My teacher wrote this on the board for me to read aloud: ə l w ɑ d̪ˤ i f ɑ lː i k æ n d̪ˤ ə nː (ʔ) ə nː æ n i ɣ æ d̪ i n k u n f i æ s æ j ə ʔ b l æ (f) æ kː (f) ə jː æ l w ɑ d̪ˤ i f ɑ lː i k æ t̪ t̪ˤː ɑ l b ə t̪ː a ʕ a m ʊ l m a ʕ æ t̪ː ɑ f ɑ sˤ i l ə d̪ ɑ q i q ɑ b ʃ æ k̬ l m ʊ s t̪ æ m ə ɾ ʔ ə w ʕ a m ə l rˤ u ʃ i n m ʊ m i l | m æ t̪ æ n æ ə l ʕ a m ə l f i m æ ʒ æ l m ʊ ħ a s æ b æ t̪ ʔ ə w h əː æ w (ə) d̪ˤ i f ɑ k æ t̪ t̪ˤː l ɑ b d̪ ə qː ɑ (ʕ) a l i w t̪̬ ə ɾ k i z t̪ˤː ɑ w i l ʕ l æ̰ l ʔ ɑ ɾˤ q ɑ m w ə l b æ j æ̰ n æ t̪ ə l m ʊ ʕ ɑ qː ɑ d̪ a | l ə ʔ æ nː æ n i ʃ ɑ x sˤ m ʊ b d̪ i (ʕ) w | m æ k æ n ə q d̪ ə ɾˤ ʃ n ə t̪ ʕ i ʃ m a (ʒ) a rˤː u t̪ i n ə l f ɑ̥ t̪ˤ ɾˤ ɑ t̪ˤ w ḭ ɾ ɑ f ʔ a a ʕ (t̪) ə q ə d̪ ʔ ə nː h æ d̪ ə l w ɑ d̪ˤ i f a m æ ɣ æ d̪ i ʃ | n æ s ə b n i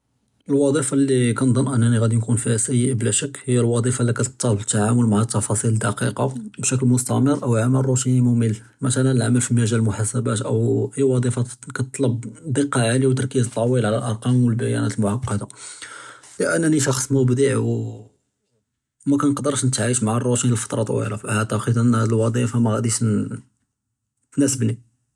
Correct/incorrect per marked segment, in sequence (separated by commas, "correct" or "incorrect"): correct, incorrect, incorrect, incorrect, correct, correct, incorrect, correct